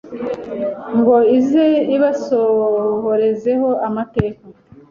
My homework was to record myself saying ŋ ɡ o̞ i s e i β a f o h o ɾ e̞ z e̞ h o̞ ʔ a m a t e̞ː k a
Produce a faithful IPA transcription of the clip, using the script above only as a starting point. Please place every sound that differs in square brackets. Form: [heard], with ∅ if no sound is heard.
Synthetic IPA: ŋ ɡ o̞ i [z] e i β a [s] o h o ɾ e̞ z e̞ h o̞ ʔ a m a t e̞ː k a